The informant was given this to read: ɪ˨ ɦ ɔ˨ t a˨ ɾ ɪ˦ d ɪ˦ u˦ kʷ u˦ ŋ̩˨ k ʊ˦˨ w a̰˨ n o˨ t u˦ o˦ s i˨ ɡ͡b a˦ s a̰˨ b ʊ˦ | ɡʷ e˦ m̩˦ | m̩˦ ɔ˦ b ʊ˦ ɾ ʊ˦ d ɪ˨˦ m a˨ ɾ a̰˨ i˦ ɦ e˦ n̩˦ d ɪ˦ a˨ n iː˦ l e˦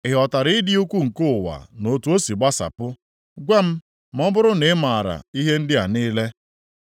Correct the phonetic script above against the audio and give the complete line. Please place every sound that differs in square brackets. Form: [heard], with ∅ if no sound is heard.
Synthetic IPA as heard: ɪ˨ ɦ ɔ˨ t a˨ ɾ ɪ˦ d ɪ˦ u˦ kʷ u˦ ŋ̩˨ k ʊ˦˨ w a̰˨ n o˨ t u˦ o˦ s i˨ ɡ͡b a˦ s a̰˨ [p] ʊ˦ | ɡʷ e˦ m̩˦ | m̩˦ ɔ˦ b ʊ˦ ɾ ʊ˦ [n] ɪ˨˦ m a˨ ɾ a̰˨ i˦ ɦ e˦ n̩˦ d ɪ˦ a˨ n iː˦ l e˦